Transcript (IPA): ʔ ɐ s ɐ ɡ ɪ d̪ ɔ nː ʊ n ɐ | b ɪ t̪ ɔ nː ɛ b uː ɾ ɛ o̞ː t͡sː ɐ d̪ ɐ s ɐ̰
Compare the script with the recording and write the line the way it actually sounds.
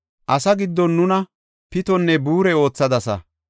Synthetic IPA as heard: ʔ ɐ s ɐ ɡ ɪ d̪ː ɔ nː ʊ n ɐ | p ɪ t̪ ɔ nː ɛ b uː ɾ ɛ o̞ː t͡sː ɐ d̪ ɐ s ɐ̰